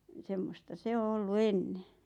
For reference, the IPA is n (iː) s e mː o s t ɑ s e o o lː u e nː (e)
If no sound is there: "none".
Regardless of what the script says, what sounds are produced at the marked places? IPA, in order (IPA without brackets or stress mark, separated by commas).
i, e